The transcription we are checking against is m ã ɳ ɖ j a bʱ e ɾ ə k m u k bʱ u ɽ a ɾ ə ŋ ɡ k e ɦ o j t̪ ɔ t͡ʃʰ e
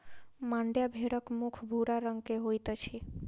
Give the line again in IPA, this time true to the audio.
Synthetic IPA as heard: m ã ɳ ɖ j a bʱ e ɽ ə k m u kʰ bʱ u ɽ a ɾ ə ŋ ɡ k e ɦ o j t̪ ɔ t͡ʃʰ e

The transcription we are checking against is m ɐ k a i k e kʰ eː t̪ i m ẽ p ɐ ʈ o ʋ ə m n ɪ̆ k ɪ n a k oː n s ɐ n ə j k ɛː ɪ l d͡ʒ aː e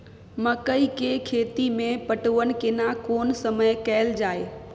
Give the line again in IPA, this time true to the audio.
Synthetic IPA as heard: m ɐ k ə i k e kʰ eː t̪ i m ẽ p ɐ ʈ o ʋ ə n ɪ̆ k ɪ n a k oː n s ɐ m ə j k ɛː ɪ l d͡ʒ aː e

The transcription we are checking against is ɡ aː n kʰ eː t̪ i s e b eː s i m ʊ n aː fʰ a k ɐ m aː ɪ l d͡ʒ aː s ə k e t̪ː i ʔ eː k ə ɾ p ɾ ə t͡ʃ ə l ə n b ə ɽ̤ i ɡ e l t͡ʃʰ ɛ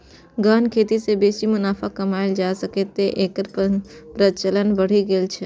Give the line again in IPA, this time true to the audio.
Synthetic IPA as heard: ɡ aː n kʰ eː t̪ i s e b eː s i m ʊ n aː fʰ a k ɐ m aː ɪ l d͡ʒ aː s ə k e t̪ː e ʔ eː k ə ɾ p ɾ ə t͡ʃ ə l ə n b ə ɽ̤ i ɡ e l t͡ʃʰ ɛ

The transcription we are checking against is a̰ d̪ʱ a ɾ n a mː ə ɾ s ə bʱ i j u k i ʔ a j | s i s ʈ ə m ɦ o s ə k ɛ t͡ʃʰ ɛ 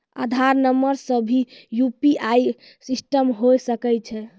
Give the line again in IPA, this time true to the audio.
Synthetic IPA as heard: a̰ d̪ʱ a ɾ n ə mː ə ɾ s ə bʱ i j u p i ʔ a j | s i s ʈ ə m ɦ o s ə k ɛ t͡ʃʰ ɛ

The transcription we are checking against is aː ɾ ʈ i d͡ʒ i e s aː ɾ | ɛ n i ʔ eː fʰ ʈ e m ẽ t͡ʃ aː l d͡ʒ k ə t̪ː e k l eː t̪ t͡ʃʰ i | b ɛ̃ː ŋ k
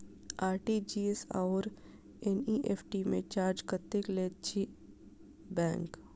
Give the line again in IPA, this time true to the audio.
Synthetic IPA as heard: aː ɾ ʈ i d͡ʒ i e s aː ɾ | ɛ n i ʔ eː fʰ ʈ i m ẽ t͡ʃ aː ɾ d͡ʒ k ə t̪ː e k l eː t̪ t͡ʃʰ i | b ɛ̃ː ŋ k

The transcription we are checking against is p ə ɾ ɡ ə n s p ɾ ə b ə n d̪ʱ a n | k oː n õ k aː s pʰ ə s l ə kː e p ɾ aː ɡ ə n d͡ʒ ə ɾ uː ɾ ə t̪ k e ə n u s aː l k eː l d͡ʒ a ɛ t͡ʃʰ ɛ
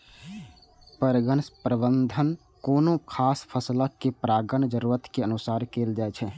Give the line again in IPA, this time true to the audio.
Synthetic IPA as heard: p ə ɾ ɡ ə n s p ɾ ə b ə n d̪ʱ ə n | k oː n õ kʰ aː s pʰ ə s l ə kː e p ɾ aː ɡ ə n d͡ʒ ə ɾ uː ɾ ə t̪ k e ə n u s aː ɾ k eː l d͡ʒ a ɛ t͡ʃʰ ɛ

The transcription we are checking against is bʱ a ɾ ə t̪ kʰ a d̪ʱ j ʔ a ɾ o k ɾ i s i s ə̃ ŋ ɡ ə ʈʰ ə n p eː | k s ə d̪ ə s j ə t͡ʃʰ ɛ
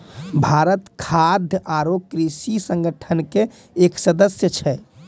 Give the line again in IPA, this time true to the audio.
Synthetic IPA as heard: bʱ a ɾ ə t̪ kʰ a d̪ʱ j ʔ a ɾ o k ɾ i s i s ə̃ ŋ ɡ ə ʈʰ ə n k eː | k s ə d̪ ə s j ə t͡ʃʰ ɛ

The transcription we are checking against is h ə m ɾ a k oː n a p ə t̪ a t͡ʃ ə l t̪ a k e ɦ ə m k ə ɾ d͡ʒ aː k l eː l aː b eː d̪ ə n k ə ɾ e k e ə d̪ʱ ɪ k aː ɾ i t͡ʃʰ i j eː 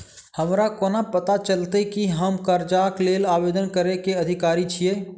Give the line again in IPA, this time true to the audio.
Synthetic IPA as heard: h ə m ɾ a k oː n a p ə t̪ a t͡ʃ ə l t̪ e k i ɦ ə m k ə ɾ d͡ʒ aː k l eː l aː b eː d̪ ə n k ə ɾ e k e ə d̪ʱ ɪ k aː ɾ i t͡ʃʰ i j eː

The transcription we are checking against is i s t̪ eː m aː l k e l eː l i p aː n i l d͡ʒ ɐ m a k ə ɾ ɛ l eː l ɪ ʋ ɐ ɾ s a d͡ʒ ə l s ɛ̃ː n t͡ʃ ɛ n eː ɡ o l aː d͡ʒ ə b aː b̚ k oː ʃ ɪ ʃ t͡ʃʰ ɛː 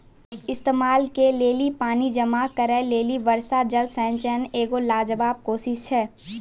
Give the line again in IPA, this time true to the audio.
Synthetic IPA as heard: ɪ s t̪ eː m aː l k e l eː l i p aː n i d͡ʒ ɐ m a k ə ɾ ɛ l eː l i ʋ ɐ ɾ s a d͡ʒ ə l s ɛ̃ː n t͡ʃ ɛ n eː ɡ o l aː d͡ʒ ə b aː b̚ k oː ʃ ɪ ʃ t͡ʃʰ ɛː

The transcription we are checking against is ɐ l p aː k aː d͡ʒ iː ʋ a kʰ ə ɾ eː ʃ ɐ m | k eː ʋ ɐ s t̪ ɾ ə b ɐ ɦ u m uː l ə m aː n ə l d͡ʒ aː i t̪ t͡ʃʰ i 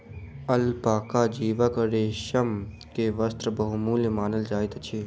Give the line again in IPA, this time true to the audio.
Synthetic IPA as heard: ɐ l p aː k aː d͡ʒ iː ʋ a k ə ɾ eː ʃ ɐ m | k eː ʋ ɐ s t̪ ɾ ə b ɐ ɦ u m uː l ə m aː n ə l d͡ʒ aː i t̪ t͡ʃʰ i

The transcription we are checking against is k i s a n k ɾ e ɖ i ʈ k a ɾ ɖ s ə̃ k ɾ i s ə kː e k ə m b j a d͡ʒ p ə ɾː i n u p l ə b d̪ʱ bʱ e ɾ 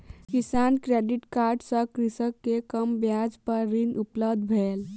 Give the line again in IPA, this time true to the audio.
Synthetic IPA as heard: k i s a n k ɾ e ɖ i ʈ k a ɾ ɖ s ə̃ k ɾ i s ə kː e k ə m b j a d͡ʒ p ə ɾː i n u p l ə b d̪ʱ bʱ e l

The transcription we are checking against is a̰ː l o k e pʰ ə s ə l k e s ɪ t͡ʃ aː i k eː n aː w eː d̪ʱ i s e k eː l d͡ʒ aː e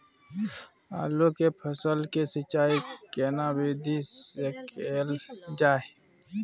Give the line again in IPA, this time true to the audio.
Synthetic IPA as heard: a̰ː l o k e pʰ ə s ə l k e s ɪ t͡ʃ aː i k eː n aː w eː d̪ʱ i s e k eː l d͡ʒ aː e

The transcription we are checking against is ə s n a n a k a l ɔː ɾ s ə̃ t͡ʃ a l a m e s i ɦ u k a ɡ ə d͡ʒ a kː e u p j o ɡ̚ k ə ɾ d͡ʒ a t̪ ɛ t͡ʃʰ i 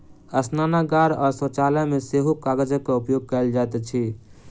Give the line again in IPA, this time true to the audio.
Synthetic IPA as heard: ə s n a n a ɡ a ɾ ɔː ɾ s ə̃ t͡ʃ a l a m e s e ɦ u k a ɡ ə d͡ʒ ə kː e u p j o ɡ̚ k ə l d͡ʒ a t̪ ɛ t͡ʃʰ i

